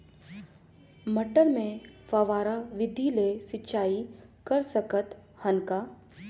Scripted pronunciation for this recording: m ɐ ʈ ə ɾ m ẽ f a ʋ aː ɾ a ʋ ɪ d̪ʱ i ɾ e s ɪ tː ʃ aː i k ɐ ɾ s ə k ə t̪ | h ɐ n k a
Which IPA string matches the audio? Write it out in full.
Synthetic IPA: m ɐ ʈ ə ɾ m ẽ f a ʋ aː ɾ a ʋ ɪ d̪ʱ i l e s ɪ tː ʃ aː i k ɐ ɾ s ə k ə t̪ | h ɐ n k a